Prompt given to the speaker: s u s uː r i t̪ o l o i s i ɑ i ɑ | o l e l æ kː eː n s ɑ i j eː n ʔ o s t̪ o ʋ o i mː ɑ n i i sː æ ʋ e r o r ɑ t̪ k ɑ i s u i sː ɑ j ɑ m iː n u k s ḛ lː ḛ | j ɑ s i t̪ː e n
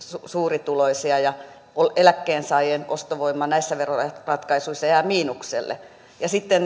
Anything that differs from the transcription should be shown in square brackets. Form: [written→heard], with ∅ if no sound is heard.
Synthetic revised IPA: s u s uː r i t̪ [o→u] l o i s i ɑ [i→j] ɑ | o l e l æ kː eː n s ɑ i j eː n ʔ o s t̪ o ʋ o i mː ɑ n [i→æ] i sː æ ʋ e r o r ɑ t̪ k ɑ i s u i sː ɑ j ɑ m iː n u k s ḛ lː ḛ | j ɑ s i t̪ː e n